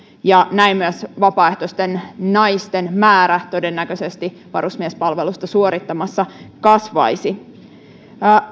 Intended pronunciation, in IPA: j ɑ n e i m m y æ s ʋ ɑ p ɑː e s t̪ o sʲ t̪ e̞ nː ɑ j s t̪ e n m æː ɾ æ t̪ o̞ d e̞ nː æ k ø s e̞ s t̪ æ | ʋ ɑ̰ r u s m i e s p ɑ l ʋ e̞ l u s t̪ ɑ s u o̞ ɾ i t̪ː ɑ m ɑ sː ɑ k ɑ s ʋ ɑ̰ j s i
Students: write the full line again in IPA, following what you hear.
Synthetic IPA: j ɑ n æ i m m y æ s ʋ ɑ p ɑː e h t̪ o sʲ t̪ e̞ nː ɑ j s t̪ e n m æː ɾ æ t̪ o̞ d e̞ nː æ k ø s e̞ s t̪ i | ʋ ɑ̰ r u s m i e s p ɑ l ʋ e̞ l u s t̪ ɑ s u o̞ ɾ i t̪ː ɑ m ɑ sː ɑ k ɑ s ʋ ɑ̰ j s i